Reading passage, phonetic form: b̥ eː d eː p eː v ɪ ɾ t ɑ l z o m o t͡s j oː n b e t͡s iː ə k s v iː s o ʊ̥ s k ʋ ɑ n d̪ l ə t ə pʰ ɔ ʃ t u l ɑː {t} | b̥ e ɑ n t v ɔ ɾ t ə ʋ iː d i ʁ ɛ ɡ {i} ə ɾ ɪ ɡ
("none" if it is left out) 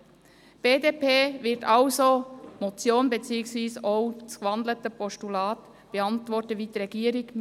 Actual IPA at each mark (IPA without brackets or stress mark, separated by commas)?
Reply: t, iː